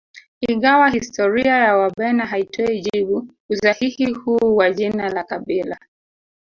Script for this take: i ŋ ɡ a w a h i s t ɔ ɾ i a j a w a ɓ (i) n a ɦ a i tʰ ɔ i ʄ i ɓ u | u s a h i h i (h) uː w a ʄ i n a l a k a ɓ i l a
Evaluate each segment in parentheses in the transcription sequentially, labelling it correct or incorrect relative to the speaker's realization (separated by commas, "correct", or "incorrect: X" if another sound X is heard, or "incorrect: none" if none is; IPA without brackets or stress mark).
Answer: incorrect: ɛ, correct